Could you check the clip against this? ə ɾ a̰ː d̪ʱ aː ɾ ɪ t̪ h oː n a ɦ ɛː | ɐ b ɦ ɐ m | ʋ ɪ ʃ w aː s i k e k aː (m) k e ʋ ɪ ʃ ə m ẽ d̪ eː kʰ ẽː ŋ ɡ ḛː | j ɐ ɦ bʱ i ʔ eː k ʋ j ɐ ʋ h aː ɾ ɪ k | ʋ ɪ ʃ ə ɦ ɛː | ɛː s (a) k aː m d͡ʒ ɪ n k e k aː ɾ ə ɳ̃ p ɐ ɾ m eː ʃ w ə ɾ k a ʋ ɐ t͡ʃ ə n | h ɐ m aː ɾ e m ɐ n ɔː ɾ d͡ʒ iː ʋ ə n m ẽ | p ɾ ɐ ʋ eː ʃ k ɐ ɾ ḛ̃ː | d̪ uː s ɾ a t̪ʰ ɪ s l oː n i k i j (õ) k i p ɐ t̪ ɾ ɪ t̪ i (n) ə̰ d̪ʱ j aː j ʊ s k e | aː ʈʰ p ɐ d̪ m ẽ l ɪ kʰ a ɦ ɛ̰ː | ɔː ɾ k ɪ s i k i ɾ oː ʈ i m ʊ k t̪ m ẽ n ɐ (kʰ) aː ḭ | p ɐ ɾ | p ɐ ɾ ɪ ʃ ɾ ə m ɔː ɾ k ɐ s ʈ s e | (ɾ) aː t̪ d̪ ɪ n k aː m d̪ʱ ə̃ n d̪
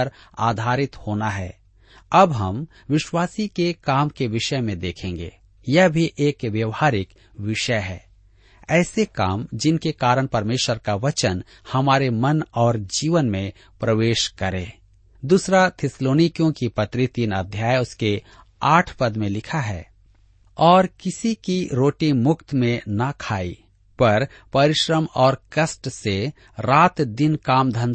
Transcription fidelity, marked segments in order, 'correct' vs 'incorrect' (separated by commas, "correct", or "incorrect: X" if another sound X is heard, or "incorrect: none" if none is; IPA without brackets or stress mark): correct, incorrect: e, correct, correct, correct, correct